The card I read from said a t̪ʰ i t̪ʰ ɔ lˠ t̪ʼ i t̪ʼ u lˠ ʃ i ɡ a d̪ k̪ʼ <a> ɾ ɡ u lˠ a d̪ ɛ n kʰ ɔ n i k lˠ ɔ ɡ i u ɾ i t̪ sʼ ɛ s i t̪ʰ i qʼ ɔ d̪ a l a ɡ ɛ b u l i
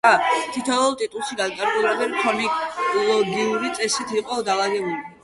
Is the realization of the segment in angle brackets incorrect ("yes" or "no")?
no